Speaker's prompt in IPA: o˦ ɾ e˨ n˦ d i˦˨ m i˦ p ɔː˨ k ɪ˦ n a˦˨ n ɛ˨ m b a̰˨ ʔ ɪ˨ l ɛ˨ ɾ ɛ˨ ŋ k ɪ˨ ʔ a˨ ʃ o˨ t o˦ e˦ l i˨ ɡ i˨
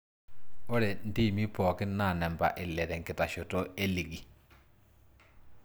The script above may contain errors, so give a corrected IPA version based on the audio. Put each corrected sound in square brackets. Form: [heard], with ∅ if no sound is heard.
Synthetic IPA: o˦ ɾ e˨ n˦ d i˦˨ m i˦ p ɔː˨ k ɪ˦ n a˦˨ n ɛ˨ m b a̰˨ ʔ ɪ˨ l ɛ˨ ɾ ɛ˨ ŋ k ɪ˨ [t] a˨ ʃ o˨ t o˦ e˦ l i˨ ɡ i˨